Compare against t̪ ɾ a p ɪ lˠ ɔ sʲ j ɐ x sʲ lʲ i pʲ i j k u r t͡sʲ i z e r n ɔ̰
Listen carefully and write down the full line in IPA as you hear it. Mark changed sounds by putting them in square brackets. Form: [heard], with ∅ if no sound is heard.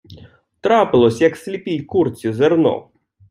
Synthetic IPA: t̪ ɾ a p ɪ lˠ ɔ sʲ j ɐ [k] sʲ lʲ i pʲ i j k u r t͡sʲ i z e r n ɔ̰